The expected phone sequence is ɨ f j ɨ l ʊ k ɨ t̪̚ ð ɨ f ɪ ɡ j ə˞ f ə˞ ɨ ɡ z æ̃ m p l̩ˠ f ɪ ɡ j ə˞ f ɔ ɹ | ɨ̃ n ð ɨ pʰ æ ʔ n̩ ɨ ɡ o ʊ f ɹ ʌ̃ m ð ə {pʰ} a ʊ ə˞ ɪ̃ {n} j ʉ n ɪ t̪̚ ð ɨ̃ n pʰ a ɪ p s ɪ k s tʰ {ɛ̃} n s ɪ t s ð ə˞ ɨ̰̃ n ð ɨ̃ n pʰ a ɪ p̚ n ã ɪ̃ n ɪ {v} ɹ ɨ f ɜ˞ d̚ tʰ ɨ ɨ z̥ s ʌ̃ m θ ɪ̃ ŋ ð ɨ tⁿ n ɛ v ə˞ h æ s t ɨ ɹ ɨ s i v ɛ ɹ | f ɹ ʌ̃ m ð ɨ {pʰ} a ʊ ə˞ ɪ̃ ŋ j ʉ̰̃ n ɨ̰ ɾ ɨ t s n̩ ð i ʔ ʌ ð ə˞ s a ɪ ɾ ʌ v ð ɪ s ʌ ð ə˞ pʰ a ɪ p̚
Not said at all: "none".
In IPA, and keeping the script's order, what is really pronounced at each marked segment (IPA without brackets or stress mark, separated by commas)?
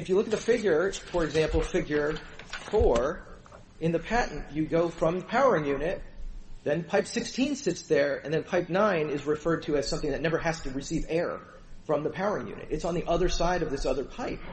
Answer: pʰ, ŋ, ĩ, z, pʰ